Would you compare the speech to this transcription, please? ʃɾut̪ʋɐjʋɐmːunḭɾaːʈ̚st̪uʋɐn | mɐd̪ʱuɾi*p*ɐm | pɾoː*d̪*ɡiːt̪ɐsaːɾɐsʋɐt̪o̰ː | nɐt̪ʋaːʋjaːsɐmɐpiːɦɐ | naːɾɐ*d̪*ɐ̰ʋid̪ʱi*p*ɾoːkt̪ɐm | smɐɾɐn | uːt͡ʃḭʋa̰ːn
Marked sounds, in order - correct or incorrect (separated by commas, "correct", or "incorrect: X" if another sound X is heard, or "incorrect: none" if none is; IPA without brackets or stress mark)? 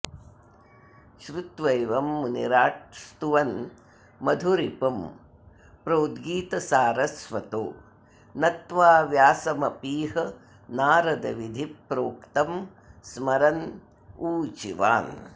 correct, correct, correct, correct